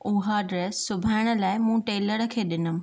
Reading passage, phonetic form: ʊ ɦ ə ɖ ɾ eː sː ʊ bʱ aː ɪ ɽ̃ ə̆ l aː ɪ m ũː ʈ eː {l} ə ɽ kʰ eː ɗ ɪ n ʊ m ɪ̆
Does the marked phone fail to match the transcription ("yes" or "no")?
no